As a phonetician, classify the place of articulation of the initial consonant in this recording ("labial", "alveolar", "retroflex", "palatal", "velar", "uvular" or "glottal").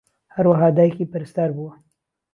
glottal